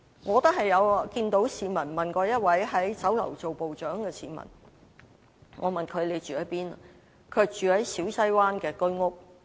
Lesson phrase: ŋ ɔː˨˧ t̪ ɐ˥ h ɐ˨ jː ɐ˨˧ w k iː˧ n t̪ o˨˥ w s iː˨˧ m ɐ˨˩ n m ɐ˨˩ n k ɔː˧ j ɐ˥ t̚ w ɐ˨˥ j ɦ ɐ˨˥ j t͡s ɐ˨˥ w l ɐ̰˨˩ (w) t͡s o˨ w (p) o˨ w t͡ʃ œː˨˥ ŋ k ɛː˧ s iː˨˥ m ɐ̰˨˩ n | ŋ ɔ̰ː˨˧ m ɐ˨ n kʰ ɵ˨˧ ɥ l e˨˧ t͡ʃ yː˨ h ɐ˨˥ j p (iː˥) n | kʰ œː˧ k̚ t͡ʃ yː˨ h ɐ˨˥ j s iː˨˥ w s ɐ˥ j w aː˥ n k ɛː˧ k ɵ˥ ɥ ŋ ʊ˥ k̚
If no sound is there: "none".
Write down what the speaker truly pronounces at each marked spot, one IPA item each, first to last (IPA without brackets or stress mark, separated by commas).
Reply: w, p, iː˥